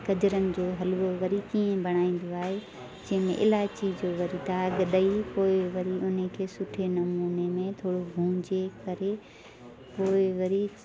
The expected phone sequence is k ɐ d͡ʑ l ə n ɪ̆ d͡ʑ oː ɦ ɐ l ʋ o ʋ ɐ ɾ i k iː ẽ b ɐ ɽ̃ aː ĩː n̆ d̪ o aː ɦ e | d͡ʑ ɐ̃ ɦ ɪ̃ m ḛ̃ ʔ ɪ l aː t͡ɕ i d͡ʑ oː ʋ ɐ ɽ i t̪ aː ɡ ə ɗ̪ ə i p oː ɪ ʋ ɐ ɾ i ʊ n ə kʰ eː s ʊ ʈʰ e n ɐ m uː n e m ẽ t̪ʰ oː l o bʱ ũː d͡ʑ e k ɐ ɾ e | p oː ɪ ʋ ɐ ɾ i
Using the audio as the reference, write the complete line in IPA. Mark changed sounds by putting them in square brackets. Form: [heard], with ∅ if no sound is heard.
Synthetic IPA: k ɐ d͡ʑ [ɾ] ə n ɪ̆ d͡ʑ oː ɦ ɐ l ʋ o ʋ ɐ ɾ i k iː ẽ b ɐ ɽ̃ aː ĩː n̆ d̪ o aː ɦ e | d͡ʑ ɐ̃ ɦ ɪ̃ m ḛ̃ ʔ ɪ l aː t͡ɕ i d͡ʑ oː ʋ ɐ [ɾ] i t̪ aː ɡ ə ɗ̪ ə i p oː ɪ ʋ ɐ ɾ i ʊ n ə kʰ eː s ʊ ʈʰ e n ɐ m uː n e m ẽ t̪ʰ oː [ɽ] o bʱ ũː d͡ʑ e k ɐ ɾ e | p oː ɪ ʋ ɐ ɾ i